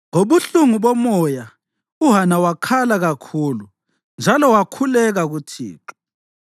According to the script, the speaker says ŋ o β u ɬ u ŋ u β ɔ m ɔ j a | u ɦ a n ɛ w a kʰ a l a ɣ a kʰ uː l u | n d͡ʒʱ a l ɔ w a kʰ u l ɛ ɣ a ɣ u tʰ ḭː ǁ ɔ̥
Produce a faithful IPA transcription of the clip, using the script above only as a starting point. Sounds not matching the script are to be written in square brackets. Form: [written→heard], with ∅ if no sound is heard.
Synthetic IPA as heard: ŋ o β u ɬ u ŋ u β ɔ m ɔ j a | u ɦ a n [ɛ→a] w a kʰ a l a ɣ a kʰ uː l u | n d͡ʒʱ a l ɔ w a kʰ u l ɛ ɣ a ɣ u tʰ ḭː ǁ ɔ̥